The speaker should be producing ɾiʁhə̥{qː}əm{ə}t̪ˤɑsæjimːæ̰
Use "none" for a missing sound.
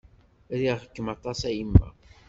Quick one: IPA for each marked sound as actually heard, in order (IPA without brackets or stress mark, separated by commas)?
kː, ɑ